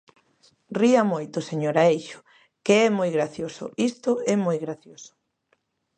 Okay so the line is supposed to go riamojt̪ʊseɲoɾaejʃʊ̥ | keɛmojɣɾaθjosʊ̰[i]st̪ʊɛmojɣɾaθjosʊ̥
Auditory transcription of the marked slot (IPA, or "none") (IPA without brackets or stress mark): i